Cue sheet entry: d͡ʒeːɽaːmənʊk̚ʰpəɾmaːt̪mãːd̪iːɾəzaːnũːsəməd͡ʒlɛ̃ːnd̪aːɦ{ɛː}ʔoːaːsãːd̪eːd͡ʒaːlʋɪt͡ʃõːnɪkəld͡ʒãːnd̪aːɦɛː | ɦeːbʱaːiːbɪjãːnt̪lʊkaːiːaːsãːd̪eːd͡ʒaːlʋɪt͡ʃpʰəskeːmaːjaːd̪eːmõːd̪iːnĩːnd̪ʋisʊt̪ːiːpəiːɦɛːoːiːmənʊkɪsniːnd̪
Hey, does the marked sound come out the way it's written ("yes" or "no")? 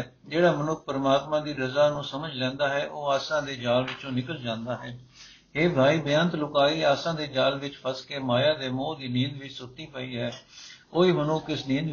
yes